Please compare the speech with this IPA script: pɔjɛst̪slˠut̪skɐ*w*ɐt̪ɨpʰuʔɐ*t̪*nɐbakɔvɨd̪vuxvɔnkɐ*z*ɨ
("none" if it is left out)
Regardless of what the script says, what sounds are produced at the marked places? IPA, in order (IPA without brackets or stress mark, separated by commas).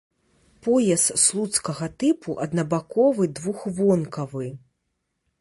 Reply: ɣ, d̪, v